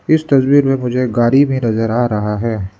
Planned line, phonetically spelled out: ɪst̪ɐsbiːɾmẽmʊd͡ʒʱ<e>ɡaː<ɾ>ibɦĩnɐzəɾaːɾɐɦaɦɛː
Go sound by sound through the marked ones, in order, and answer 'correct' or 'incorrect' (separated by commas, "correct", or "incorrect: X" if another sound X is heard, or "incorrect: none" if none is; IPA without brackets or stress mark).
correct, correct